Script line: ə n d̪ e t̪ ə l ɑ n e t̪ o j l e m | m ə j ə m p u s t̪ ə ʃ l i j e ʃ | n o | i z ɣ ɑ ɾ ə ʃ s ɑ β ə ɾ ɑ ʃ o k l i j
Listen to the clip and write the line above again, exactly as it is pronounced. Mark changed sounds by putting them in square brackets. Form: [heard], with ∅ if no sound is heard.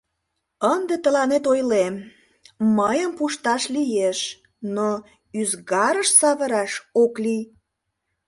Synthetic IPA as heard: ə n d̪ e t̪ ə l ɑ n e t̪ o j l e m | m ə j ə m p u [ʃ] t̪ [ɑ] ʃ l i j e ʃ | n o | [y] z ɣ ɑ ɾ ə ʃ s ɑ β ə ɾ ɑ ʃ o k l i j